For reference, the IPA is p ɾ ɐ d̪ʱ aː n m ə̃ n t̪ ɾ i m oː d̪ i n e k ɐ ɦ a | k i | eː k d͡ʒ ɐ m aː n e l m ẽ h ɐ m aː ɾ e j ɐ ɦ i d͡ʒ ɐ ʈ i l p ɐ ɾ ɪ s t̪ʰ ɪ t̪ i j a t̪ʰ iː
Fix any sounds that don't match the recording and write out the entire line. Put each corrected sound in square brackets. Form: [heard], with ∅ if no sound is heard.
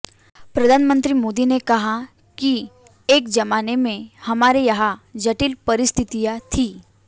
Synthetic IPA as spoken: p ɾ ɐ d̪ʱ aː n m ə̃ n t̪ ɾ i m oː d̪ i n e k ɐ ɦ a | k i | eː k d͡ʒ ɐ m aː n e [∅] m ẽ h ɐ m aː ɾ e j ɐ ɦ [a] d͡ʒ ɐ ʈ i l p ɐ ɾ ɪ s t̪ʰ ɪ t̪ i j a t̪ʰ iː